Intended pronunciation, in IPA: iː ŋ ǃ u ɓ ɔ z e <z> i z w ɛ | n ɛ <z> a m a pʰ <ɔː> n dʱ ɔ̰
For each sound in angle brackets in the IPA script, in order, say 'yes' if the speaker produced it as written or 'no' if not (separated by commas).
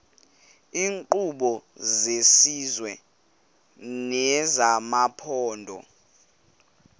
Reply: no, yes, yes